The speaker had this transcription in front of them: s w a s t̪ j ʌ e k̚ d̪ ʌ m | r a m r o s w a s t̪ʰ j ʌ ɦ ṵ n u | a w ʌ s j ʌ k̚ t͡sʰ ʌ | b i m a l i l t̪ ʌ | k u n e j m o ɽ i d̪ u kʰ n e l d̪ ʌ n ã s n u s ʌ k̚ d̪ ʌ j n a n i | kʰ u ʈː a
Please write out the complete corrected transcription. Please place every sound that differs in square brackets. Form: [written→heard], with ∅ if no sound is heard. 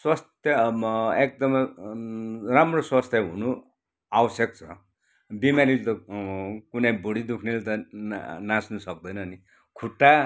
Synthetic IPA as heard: s w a s t̪ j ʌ e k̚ d̪ ʌ m | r a m r o s w a s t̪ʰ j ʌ ɦ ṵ n u | a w ʌ s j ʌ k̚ t͡sʰ ʌ | b i m a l i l t̪ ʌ | k u n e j [m→b] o ɽ i d̪ u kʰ n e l [d̪→t̪] ʌ n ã s n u s ʌ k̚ d̪ ʌ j n [a→ʌ] n i | kʰ u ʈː a